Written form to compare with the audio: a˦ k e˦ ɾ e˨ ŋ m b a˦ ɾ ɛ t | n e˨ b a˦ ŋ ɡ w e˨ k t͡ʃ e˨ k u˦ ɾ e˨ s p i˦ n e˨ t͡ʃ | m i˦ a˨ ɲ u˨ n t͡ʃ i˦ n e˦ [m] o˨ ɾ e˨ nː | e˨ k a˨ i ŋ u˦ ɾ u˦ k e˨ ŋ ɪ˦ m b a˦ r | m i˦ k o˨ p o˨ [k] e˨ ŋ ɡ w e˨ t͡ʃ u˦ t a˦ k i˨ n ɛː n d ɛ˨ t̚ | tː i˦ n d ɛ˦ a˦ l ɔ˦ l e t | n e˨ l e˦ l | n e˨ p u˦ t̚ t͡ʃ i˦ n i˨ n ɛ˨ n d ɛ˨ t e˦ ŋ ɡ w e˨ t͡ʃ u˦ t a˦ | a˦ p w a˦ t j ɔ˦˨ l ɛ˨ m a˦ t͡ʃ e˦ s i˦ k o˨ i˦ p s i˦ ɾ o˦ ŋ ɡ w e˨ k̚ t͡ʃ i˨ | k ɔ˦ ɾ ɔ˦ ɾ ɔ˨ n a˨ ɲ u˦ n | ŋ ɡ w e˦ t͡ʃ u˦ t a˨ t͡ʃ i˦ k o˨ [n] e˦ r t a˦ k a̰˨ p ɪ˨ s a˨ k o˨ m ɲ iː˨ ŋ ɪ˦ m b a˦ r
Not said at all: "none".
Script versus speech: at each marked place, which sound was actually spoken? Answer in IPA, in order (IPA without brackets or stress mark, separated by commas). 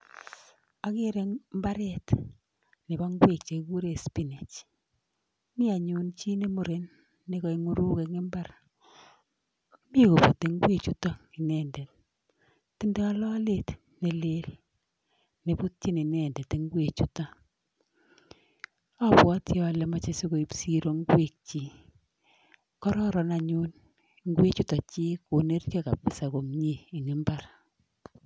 m, t, n